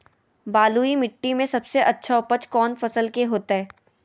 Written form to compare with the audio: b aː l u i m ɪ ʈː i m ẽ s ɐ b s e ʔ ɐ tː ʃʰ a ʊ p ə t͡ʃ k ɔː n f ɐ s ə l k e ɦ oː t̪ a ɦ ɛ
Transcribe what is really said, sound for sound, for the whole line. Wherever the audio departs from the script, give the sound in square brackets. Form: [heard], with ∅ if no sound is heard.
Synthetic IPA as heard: b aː l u i m ɪ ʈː i m ẽ s ɐ b s e ʔ ɐ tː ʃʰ a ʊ p ə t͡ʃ k ɔː n f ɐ s ə l k e ɦ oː t̪ a ɦ [ɛː]